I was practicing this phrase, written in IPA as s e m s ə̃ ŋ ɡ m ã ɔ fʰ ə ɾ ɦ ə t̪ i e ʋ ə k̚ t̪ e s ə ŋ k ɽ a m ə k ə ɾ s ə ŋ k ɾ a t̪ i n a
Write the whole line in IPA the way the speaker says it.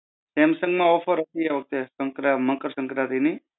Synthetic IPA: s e m s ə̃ ŋ ɡ m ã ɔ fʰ ə ɾ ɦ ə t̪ i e ʋ ə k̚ t̪ e s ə ŋ k ɾ a m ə k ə ɾ s ə ŋ k ɾ a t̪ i n i